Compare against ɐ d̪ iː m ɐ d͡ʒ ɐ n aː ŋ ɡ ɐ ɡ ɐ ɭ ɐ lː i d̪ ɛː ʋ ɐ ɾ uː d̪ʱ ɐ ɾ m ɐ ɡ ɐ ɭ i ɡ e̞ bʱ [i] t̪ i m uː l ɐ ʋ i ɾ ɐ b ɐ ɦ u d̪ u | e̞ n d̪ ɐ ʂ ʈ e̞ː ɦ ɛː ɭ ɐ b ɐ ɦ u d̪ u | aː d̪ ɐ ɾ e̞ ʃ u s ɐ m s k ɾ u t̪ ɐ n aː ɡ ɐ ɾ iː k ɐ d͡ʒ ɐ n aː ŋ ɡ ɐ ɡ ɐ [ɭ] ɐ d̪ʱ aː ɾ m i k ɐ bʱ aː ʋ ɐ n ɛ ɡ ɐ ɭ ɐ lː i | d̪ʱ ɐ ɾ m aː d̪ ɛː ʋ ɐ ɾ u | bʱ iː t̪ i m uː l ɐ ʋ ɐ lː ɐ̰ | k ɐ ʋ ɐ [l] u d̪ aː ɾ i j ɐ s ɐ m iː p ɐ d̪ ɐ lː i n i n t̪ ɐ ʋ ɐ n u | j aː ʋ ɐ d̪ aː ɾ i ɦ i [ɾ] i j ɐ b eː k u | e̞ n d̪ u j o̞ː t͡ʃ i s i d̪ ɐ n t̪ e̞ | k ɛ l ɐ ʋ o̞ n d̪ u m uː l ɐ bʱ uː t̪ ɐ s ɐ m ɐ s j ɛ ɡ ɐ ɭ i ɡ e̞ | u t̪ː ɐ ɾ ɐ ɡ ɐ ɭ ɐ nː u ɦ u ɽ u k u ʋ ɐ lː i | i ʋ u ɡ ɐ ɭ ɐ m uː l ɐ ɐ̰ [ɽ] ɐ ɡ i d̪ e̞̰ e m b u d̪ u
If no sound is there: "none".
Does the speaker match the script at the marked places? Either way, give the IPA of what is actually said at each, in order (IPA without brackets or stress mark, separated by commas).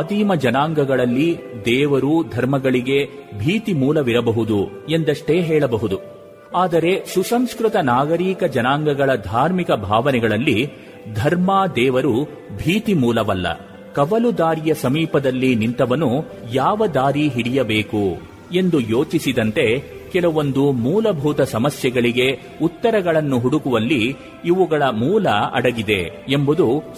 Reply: iː, ɭ, l, ɽ, ɽ